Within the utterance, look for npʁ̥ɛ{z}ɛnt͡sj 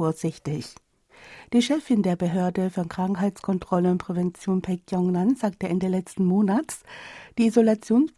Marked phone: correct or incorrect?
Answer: incorrect